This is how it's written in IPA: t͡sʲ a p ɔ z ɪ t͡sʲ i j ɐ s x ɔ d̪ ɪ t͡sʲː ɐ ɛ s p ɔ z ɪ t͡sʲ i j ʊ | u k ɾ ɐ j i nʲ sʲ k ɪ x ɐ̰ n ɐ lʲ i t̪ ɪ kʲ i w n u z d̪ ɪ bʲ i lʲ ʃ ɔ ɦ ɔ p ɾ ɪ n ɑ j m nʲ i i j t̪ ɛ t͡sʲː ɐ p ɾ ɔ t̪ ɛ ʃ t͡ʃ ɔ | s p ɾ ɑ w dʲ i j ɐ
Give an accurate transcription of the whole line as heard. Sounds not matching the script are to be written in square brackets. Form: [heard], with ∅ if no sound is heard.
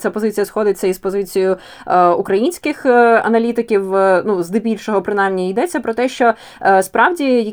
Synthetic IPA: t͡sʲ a p ɔ z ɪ t͡sʲ i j ɐ s x ɔ d̪ ɪ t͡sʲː ɐ [i] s p ɔ z ɪ t͡sʲ i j ʊ | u k ɾ ɐ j i nʲ sʲ k ɪ x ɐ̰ n ɐ lʲ i t̪ ɪ kʲ i w n u z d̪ ɪ bʲ i lʲ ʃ ɔ ɦ ɔ p ɾ ɪ n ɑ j m nʲ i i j [d̪] ɛ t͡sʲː ɐ p ɾ ɔ t̪ ɛ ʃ t͡ʃ ɔ | s p ɾ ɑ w dʲ i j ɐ